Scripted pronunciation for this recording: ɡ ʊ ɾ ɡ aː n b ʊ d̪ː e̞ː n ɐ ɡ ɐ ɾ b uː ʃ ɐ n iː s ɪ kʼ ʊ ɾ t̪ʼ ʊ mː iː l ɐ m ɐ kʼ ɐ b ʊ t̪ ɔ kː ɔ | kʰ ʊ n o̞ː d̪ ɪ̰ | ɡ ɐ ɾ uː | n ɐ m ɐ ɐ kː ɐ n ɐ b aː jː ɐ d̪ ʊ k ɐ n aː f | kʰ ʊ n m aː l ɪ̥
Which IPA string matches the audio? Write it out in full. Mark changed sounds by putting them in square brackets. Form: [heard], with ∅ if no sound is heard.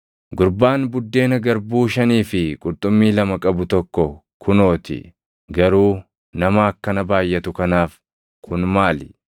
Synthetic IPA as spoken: ɡ ʊ ɾ [b] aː n b ʊ d̪ː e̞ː n ɐ ɡ ɐ ɾ b uː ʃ ɐ n iː [f] ɪ kʼ ʊ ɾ t̪ʼ ʊ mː iː l ɐ m ɐ kʼ ɐ b ʊ t̪ ɔ kː ɔ | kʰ ʊ n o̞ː [t̪] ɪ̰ | ɡ ɐ ɾ uː | n ɐ m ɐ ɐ kː ɐ n ɐ b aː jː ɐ [t̪] ʊ k ɐ n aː f | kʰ ʊ n m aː l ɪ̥